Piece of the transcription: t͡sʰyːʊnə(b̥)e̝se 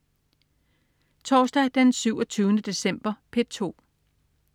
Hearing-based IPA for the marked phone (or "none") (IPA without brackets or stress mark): d̥